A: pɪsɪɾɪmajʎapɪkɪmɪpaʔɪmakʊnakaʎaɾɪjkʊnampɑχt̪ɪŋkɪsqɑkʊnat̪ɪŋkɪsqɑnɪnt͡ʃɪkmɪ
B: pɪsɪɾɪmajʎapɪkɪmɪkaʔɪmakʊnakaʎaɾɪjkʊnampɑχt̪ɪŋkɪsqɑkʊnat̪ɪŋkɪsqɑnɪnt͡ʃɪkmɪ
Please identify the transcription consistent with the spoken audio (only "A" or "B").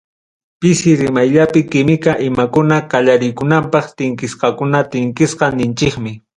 B